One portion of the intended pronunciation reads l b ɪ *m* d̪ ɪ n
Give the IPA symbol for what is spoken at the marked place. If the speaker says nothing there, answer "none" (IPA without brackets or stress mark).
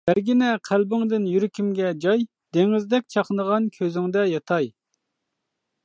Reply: ŋ